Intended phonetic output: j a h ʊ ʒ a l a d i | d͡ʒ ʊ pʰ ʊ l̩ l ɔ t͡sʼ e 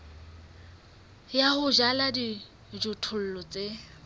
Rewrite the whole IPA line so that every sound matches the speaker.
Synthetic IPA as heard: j a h ʊ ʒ a l a d i | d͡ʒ ʊ tʰ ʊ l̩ l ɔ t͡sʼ e

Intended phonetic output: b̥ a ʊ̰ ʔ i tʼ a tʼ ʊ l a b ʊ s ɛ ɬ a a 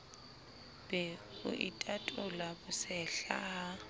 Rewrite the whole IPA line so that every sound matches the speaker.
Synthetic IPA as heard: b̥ ɛ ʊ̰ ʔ i tʼ a tʼ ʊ l a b ʊ s ɛ ɬ a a

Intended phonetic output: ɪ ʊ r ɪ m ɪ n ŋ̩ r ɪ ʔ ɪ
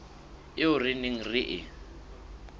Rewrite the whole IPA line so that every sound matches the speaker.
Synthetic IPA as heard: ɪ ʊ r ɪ n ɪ ŋ̩ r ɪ ʔ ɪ

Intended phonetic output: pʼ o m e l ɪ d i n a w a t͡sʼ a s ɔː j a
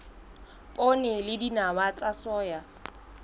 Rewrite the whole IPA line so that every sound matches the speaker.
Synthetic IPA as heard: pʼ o n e l ɪ d i n a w a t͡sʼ a s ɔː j a

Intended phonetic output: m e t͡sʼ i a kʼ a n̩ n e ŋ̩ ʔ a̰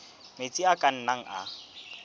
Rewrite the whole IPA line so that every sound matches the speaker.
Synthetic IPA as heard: m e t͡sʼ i a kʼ a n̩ n a ŋ̩ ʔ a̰

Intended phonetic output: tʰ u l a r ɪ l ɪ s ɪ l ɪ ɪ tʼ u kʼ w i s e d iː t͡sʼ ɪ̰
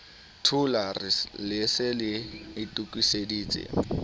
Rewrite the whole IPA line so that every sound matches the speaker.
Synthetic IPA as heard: tʰ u l a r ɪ l ɪ s ɪ l ɪ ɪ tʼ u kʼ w i s e d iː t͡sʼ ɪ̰

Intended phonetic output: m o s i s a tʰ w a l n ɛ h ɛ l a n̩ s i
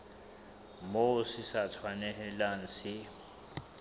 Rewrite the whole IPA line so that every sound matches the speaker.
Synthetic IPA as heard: m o s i s a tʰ w a n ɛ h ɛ l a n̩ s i

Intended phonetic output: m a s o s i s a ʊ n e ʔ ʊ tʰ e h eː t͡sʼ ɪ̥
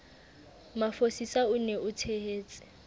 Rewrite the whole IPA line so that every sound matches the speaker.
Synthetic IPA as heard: m a f o s i s a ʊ n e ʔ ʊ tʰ e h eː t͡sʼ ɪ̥

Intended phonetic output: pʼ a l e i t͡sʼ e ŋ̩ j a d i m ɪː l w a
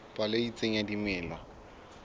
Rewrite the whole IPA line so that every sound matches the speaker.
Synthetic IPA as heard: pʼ a l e i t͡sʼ e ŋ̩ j a d i m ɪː l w a

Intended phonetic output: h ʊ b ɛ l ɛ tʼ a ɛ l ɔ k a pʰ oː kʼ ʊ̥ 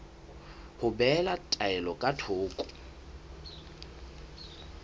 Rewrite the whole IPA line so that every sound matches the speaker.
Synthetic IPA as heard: h ʊ b ɛ l a tʼ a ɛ l ɔ kʼ a tʰ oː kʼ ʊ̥

